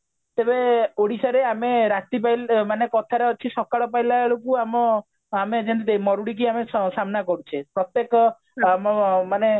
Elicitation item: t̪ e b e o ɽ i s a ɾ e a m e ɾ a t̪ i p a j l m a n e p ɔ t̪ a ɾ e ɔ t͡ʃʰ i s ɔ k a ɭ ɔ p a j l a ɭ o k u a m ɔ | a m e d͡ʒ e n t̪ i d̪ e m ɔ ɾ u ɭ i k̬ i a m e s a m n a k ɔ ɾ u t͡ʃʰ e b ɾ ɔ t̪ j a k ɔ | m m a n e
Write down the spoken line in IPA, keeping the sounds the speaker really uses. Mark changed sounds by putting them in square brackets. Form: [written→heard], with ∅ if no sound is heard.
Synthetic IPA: t̪ e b e o ɽ i s a ɾ e a m e ɾ a t̪ i p a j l m a n e [p→k] ɔ [t̪→t̪ʰ] a ɾ e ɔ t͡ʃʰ i s ɔ k a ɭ ɔ p a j l a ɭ o k u a m ɔ | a m e d͡ʒ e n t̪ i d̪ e m ɔ ɾ u [ɭ→ɽ] i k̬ i a m e s a m n a k ɔ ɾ u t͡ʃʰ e [b→p] ɾ ɔ t̪ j [a→e] k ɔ | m m a n e